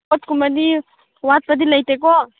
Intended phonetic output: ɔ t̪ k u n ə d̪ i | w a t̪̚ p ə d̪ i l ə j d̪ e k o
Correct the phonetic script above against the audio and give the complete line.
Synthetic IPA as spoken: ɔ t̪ k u m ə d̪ i | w a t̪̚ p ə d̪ i l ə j t̪ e k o